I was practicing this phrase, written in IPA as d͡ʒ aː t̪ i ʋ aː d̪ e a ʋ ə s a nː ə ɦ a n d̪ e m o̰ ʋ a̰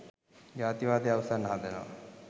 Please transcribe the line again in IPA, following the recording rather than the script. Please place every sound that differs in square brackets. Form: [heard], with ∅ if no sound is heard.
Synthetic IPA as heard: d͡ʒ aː t̪ i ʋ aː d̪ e a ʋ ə s a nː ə ɦ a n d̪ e [n] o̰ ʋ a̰